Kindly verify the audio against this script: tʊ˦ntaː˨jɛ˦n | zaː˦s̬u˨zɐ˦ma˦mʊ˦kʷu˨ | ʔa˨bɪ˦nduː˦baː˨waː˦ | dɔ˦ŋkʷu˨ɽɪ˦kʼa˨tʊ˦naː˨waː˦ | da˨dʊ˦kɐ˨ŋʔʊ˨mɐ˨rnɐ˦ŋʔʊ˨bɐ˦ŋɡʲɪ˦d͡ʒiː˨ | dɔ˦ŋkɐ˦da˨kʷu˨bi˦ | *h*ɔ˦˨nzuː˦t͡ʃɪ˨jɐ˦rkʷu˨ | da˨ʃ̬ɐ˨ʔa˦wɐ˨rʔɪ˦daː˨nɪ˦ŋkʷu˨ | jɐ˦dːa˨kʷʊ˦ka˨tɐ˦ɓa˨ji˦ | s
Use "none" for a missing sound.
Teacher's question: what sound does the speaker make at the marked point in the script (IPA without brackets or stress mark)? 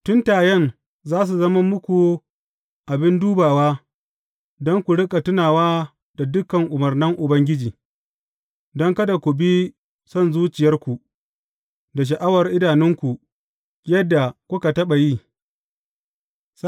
s